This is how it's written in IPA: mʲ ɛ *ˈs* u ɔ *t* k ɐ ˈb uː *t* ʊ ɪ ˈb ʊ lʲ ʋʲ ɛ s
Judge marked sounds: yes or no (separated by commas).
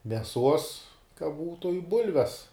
yes, no, yes